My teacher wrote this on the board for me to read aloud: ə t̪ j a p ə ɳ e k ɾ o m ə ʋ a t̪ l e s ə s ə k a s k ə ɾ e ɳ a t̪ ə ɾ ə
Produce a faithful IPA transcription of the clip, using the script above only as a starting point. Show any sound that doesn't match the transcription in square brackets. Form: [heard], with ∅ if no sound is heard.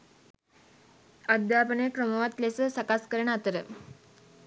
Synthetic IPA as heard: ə [d̪] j a p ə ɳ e k ɾ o m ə ʋ a t̪ l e s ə s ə k a s k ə ɾ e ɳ a t̪ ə ɾ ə

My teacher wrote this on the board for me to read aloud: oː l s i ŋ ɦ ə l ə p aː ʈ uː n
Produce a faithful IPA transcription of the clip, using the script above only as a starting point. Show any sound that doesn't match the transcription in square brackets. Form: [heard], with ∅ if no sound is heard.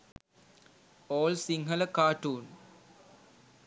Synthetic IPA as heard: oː l s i ŋ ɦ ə l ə [k] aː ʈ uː n

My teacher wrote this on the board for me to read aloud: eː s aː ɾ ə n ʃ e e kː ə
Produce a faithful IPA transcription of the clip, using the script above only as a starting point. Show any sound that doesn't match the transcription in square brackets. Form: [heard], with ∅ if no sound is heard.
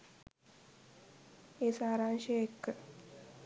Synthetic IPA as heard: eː s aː ɾ [a] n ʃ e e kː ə

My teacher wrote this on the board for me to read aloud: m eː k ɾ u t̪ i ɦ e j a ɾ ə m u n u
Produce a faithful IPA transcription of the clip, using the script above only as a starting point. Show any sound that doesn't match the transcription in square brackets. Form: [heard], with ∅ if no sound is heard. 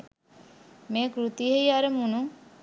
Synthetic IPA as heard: m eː k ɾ u t̪ i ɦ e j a ɾ ə m u n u

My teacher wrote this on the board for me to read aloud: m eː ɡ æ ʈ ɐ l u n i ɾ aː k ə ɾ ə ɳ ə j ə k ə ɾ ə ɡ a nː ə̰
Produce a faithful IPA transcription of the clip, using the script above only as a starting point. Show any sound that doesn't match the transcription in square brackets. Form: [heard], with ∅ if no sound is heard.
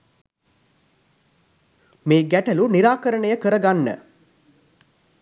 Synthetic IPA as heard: m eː ɡ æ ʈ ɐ l u n i ɾ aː k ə ɾ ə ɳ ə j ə k ə ɾ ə ɡ a nː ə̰

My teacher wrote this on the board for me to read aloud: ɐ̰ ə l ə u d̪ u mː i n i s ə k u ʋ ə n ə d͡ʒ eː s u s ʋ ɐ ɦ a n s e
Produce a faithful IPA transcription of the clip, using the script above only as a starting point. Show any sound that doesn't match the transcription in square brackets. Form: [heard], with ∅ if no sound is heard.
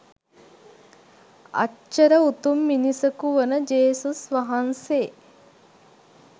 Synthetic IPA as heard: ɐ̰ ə [ɾ] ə u [t̪] u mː i n i s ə k u ʋ ə n ə d͡ʒ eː s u s ʋ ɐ ɦ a n s e

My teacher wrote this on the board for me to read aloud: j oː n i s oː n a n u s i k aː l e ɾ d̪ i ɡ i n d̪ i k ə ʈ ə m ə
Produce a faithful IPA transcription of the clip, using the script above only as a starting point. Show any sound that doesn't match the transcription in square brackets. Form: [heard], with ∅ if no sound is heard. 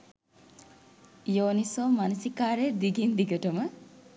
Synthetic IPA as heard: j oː n i s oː [m] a n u s i k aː [ɾ] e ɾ d̪ i ɡ i n d̪ i [ɡ] ə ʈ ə m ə

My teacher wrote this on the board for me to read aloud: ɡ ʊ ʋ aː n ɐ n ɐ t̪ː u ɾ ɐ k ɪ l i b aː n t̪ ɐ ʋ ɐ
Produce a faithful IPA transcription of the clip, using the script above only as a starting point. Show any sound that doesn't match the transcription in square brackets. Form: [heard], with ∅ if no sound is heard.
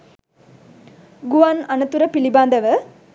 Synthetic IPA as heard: ɡ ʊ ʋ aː n ɐ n ɐ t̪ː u ɾ ɐ [p] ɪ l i b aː n [d̪] ɐ ʋ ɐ

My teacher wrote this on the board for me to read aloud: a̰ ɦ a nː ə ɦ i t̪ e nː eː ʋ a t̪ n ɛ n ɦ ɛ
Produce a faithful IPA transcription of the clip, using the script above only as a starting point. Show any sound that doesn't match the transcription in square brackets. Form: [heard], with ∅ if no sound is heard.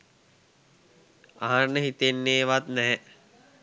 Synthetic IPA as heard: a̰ ɦ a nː ə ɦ i t̪ e nː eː ʋ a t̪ n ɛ [∅] ɦ ɛ

